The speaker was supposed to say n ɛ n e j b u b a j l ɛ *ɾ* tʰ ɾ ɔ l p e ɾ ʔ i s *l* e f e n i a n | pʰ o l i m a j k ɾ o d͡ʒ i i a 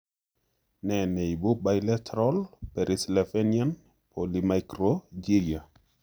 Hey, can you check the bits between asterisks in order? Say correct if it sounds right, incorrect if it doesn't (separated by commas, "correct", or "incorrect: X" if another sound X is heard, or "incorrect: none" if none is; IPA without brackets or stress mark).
incorrect: none, correct